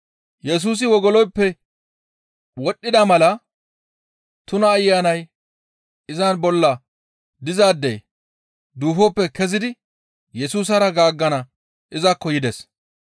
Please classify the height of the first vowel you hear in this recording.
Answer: mid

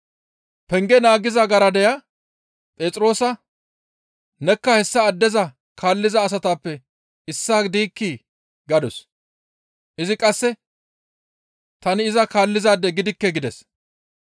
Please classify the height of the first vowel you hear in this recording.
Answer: mid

